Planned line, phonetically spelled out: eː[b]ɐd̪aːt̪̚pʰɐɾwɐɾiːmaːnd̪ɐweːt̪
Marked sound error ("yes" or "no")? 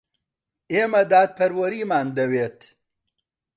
yes